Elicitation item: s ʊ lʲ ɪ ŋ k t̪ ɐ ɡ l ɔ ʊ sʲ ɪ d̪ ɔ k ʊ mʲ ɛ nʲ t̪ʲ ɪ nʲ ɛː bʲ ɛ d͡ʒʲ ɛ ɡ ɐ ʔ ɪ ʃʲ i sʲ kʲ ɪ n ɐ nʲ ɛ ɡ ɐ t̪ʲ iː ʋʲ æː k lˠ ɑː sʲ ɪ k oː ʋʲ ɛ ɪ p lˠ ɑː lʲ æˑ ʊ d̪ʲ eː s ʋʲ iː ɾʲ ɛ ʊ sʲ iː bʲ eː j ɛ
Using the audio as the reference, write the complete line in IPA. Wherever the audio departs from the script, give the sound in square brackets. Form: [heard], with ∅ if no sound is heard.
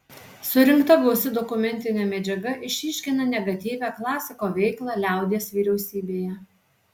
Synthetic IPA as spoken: s ʊ [ɾʲ] ɪ ŋ k t̪ ɐ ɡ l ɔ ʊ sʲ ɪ d̪ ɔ k ʊ mʲ ɛ nʲ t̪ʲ ɪ nʲ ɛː [mʲ] ɛ d͡ʒʲ ɛ ɡ ɐ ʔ ɪ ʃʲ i [ʃʲ] kʲ ɪ n ɐ nʲ ɛ ɡ ɐ t̪ʲ iː ʋʲ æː k lˠ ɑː sʲ ɪ k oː ʋʲ ɛ ɪ [k] lˠ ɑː lʲ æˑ ʊ d̪ʲ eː s ʋʲ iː ɾʲ ɛ ʊ sʲ iː bʲ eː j ɛ